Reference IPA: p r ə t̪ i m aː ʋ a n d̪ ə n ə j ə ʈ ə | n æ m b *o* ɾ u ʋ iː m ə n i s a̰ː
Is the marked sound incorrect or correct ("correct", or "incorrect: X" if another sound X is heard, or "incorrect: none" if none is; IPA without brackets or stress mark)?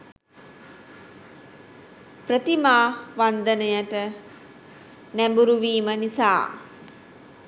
incorrect: u